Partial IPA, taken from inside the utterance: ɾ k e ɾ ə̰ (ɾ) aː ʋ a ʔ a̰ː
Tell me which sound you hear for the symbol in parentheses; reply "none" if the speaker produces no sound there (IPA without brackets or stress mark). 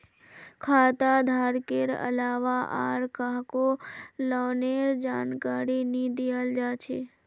l